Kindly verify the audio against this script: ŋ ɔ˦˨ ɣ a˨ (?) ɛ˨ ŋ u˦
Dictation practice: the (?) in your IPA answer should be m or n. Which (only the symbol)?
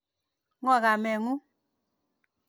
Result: m